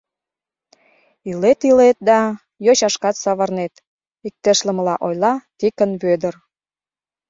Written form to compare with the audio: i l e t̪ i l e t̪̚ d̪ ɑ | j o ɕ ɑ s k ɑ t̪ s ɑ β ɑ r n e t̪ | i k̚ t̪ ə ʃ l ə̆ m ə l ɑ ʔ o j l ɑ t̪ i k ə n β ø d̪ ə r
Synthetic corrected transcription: i l e t̪ i l e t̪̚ d̪ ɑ | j o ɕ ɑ ʃ k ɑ t̪ s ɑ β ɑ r n e t̪ | i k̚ t̪ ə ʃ l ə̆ m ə l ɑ ʔ o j l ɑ t̪ i k ə n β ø d̪ ə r